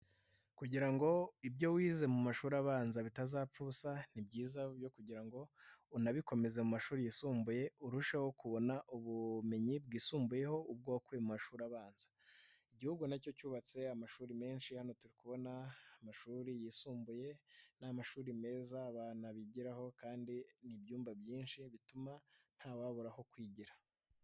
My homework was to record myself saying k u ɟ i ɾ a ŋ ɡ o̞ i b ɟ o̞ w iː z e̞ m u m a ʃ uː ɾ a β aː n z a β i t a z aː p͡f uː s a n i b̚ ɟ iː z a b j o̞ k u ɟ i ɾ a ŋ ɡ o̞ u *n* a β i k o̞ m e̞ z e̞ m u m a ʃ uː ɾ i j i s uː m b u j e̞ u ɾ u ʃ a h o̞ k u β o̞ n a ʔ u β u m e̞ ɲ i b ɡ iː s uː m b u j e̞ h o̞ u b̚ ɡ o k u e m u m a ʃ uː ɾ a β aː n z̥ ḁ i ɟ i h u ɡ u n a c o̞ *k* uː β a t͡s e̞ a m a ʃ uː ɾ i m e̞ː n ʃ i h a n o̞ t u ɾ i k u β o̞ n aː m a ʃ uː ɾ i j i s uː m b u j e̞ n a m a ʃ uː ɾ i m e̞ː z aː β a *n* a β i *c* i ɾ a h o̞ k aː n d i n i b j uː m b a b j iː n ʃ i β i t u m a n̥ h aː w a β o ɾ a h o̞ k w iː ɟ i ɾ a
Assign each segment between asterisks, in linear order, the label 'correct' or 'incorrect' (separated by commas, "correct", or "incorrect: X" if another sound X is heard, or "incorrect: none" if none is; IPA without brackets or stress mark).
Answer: correct, incorrect: c, correct, incorrect: ɟ